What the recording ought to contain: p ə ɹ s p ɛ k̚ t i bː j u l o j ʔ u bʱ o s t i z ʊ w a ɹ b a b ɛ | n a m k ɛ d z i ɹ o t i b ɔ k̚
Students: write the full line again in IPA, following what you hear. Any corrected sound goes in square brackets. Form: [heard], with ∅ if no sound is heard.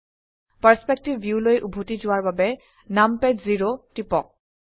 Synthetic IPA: p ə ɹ s p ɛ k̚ t i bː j u l o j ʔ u bʱ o [∅] t i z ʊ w a ɹ b a b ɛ | n a m [p] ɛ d z i ɹ o t i [p] ɔ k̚